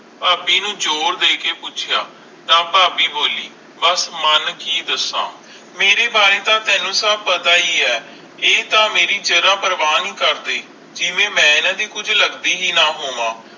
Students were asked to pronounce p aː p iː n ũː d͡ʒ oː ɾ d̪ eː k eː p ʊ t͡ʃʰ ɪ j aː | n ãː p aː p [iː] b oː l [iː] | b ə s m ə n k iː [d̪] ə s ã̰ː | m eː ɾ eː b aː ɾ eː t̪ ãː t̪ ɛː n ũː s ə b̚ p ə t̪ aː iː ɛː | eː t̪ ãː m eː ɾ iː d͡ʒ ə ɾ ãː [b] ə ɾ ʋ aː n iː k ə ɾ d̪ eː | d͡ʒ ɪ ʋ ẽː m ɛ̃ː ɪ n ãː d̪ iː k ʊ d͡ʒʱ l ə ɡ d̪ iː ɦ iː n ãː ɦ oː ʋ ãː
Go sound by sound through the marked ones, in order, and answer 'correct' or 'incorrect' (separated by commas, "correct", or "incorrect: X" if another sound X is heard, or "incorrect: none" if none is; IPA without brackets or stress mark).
correct, correct, correct, incorrect: p